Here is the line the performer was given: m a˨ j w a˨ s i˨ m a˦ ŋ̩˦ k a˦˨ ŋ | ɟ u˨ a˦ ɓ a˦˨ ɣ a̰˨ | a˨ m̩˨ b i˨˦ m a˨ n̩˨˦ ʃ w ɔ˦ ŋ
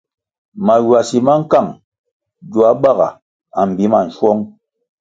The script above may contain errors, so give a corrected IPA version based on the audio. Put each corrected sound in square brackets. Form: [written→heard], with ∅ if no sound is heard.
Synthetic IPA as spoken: m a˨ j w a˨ s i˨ m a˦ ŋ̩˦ k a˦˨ ŋ | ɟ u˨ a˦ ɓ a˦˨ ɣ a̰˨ | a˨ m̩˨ b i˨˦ m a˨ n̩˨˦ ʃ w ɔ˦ ŋ